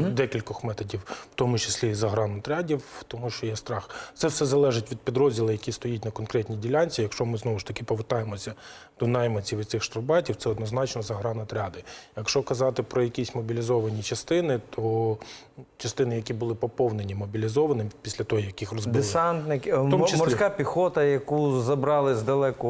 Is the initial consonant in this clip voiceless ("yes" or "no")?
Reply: no